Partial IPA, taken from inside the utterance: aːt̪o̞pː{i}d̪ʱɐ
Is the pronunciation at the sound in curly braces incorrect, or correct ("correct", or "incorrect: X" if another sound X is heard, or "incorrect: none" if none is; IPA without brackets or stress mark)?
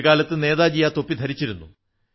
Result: correct